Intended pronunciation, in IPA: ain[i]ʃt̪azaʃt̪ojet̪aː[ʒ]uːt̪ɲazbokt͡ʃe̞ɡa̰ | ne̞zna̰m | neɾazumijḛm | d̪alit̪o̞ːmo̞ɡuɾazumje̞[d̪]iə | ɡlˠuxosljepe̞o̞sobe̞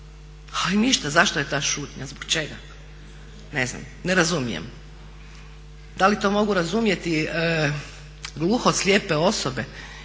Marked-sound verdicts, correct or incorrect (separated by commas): correct, incorrect, incorrect